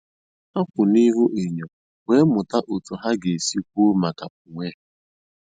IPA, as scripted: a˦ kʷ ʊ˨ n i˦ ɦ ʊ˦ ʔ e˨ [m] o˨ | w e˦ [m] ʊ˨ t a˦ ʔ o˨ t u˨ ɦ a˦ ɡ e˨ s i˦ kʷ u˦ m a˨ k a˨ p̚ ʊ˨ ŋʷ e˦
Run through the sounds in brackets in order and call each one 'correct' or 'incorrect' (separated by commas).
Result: incorrect, correct